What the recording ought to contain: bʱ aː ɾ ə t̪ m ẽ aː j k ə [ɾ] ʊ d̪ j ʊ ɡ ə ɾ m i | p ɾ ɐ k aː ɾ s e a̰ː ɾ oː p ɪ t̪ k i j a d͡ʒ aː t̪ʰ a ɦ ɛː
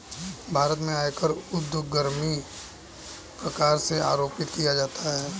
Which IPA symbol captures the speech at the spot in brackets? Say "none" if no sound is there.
ɾ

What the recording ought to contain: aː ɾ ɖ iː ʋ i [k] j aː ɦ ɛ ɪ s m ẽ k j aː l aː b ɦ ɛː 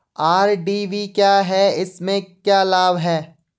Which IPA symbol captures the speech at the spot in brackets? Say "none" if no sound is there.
k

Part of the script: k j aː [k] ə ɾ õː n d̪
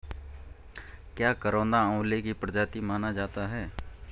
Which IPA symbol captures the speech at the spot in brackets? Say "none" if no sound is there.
k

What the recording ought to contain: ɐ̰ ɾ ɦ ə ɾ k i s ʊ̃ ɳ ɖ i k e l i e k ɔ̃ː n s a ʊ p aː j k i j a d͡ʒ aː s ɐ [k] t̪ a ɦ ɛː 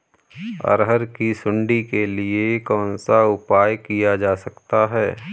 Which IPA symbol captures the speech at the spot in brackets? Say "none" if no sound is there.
k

